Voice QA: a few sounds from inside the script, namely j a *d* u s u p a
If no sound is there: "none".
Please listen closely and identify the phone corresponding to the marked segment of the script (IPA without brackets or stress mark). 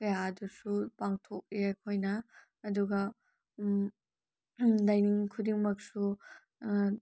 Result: d